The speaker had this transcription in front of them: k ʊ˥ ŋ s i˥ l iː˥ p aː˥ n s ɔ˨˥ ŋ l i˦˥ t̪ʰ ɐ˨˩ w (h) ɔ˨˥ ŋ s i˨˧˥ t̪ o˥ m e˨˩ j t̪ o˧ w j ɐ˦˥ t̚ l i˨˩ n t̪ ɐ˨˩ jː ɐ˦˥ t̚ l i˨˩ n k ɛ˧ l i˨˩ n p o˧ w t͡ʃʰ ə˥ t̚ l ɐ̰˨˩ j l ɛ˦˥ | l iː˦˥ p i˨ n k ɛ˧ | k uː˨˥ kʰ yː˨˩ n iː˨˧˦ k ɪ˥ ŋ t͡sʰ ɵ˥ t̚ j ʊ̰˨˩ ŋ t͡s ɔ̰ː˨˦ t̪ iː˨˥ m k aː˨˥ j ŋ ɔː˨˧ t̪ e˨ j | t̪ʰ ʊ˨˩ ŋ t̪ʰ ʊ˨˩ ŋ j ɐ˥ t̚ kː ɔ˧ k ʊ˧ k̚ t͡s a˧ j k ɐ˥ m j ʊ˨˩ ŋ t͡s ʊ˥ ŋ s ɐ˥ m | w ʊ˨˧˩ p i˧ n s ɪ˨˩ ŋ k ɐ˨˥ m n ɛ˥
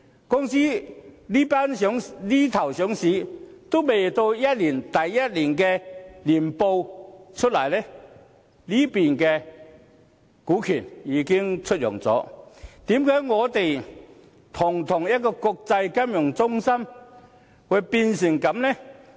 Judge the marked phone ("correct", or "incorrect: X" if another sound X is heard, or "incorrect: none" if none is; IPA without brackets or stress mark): incorrect: s